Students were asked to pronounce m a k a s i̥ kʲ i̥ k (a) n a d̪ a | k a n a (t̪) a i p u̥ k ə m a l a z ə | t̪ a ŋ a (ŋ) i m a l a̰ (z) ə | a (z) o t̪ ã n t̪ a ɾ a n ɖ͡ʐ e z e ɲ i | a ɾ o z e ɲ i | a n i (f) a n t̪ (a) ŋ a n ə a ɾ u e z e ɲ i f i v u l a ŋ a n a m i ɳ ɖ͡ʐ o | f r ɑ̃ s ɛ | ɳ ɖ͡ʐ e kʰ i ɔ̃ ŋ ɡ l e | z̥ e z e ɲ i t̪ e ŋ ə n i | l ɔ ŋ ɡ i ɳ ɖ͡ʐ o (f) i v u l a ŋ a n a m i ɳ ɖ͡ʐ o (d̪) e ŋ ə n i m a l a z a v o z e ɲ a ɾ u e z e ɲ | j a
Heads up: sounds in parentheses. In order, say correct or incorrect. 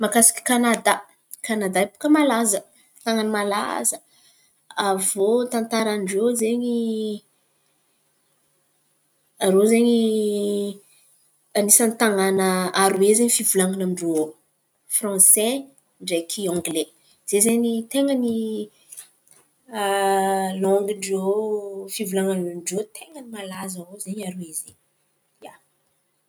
correct, incorrect: d̪, incorrect: n, correct, incorrect: v, incorrect: s, correct, correct, incorrect: t̪

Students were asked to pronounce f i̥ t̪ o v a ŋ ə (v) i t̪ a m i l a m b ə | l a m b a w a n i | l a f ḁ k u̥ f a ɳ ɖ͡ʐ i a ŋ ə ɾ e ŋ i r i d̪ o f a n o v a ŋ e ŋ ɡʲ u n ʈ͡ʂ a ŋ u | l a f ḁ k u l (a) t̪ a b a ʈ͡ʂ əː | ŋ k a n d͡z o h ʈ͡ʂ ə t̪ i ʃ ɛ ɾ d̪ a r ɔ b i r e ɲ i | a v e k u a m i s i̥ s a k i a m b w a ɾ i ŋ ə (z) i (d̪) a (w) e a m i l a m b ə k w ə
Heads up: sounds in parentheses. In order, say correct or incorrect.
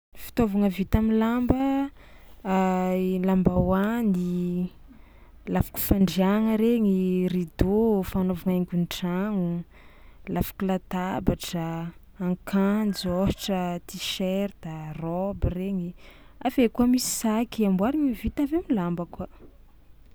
correct, correct, incorrect: v, incorrect: t̪, incorrect: v

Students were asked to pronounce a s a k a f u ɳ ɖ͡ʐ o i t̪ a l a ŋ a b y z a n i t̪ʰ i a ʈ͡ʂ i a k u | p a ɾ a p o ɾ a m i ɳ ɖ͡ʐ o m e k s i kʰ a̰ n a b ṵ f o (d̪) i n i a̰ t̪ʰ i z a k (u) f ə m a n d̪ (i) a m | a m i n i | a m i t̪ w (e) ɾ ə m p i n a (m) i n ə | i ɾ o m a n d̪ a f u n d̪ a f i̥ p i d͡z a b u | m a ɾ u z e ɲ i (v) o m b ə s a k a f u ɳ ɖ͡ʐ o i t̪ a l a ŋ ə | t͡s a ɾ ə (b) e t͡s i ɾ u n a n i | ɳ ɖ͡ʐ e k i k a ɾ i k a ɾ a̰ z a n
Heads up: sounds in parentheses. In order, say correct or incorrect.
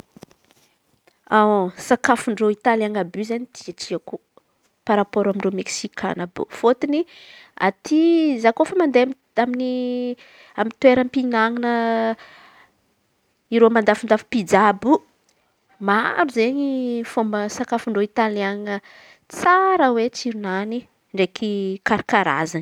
incorrect: t̪, incorrect: o, incorrect: e, correct, incorrect: ŋ, incorrect: f, incorrect: w

